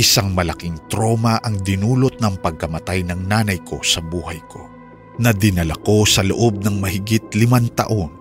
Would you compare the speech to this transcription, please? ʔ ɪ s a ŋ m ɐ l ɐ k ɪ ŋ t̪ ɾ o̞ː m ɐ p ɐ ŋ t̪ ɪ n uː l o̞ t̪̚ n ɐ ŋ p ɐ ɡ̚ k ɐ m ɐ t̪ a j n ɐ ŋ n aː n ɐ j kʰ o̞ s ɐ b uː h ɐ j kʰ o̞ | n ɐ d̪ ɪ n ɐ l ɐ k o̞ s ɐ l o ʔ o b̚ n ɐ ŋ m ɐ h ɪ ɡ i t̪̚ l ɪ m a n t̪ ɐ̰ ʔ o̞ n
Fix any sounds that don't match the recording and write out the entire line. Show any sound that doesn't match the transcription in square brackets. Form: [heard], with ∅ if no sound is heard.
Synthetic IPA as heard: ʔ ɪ s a ŋ m ɐ l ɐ k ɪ ŋ t̪ ɾ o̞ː m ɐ [ʔ] ɐ ŋ [d̪] ɪ n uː l o̞ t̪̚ n ɐ ŋ p ɐ ɡ̚ k ɐ m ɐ t̪ a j n ɐ ŋ n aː n ɐ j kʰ o̞ s ɐ b uː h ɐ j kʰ o̞ | n ɐ d̪ ɪ n ɐ l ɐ k o̞ s ɐ l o ʔ o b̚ n ɐ ŋ m ɐ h ɪ ɡ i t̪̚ l ɪ m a n t̪ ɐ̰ ʔ o̞ n